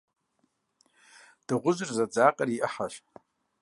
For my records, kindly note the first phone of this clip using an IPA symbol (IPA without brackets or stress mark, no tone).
d̥